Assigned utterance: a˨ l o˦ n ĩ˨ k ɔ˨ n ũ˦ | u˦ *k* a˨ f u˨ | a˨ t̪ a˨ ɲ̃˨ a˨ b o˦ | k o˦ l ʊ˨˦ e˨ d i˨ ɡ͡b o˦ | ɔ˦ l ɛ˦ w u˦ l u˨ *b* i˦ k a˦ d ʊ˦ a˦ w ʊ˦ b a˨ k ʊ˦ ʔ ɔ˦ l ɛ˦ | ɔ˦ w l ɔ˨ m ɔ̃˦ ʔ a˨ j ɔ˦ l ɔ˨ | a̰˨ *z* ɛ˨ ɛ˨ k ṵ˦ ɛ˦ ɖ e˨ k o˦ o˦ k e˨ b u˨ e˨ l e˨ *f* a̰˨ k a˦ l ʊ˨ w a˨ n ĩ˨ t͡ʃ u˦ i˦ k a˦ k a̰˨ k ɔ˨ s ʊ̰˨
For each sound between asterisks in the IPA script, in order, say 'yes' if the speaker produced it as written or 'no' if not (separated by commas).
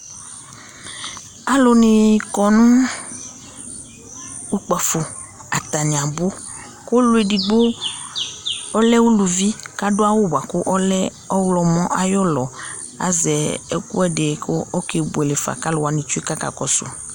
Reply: no, no, yes, yes